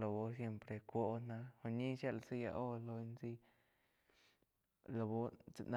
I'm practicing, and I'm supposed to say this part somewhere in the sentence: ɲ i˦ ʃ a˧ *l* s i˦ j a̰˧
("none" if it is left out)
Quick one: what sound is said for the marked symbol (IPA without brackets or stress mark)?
l